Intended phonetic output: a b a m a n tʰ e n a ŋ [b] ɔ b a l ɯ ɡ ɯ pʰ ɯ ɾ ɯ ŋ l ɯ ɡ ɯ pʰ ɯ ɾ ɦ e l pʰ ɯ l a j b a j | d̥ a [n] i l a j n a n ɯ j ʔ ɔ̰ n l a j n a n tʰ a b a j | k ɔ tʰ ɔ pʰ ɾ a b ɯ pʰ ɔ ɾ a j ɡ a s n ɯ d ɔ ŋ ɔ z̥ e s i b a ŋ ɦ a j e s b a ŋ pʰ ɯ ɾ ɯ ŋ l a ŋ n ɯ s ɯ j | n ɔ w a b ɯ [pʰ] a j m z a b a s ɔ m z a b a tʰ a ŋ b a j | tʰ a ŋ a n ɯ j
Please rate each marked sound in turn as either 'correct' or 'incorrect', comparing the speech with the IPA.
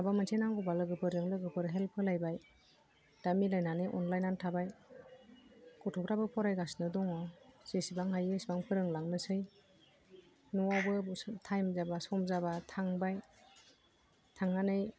incorrect, incorrect, incorrect

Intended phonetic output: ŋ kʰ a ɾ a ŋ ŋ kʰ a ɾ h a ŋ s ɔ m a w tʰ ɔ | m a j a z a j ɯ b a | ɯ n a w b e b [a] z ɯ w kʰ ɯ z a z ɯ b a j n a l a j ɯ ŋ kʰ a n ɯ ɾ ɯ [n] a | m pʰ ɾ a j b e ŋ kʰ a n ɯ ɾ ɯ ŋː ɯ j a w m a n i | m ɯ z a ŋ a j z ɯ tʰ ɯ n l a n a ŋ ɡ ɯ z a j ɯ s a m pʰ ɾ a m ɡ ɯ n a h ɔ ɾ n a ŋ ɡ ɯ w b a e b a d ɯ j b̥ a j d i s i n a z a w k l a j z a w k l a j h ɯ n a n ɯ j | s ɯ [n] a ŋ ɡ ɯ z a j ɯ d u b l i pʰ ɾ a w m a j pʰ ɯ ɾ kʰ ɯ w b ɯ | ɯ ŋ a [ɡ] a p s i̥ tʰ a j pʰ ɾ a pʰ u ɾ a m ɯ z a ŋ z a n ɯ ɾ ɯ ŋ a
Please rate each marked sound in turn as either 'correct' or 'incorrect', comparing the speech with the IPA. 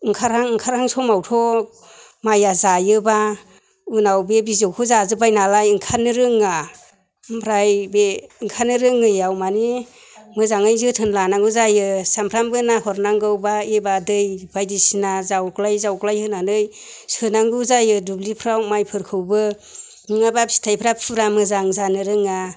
incorrect, incorrect, correct, incorrect

